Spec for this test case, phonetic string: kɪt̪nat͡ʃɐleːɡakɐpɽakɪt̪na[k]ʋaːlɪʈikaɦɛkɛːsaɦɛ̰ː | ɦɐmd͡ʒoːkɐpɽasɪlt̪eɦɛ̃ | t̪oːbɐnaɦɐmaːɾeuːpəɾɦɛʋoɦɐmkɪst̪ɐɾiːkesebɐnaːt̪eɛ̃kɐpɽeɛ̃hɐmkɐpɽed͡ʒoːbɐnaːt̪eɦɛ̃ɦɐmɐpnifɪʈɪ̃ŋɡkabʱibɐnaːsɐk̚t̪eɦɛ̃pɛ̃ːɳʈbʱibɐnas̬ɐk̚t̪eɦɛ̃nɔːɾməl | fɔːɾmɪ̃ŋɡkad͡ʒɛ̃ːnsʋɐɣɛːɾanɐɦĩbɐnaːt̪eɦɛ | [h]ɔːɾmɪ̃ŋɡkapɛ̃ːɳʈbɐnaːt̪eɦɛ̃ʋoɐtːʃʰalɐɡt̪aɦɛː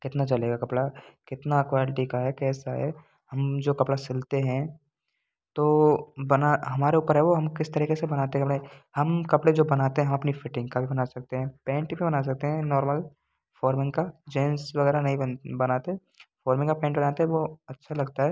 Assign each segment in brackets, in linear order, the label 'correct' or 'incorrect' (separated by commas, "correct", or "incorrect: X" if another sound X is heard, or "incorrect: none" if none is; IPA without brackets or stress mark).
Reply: correct, incorrect: f